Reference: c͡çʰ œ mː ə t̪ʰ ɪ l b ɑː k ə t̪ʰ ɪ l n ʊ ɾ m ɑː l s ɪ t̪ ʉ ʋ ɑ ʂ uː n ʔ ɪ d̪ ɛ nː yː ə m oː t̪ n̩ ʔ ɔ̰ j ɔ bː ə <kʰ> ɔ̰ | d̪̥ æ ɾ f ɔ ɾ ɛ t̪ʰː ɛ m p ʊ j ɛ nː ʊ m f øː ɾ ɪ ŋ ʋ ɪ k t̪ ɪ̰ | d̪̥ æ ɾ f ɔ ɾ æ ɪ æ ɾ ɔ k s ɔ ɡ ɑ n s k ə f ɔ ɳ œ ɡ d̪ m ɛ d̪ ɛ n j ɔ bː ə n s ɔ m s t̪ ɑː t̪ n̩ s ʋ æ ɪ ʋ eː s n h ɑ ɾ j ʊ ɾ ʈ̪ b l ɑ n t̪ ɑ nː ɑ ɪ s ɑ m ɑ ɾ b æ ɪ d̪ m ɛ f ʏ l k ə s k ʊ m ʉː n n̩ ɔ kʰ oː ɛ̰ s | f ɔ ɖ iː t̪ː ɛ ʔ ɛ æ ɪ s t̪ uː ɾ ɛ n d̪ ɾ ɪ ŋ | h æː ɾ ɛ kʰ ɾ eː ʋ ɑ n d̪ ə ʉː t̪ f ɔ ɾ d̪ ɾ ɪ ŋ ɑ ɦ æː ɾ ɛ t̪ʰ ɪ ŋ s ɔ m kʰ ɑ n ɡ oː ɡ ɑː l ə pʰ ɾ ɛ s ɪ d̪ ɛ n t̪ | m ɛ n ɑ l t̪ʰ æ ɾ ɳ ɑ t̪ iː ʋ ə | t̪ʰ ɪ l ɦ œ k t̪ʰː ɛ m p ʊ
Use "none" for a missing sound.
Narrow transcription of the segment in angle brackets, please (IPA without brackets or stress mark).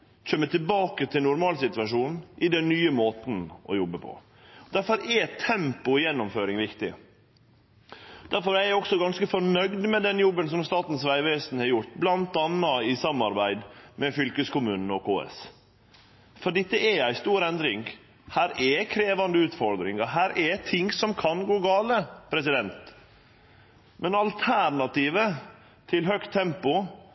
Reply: pʰ